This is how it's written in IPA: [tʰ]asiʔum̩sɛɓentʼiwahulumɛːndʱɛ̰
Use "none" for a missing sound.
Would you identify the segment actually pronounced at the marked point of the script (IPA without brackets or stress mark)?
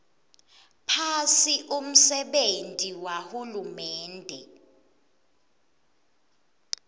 pʰ